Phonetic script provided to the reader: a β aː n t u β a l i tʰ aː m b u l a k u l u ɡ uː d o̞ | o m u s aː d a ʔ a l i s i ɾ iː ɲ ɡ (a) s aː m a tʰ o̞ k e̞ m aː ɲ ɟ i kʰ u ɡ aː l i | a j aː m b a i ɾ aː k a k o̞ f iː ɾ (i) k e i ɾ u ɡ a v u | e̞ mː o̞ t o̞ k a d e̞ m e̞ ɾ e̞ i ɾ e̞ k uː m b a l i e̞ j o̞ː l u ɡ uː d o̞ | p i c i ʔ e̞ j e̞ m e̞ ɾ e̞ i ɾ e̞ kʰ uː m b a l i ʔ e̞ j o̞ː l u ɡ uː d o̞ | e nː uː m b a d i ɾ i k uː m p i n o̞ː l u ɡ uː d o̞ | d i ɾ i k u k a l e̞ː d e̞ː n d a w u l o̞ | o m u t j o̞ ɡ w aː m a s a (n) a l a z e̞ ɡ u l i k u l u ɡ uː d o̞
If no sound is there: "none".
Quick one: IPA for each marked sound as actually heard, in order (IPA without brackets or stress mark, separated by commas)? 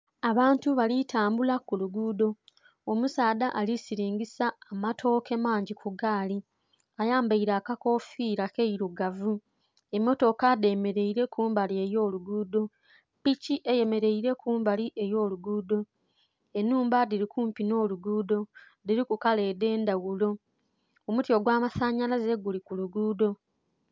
i, a, ɲ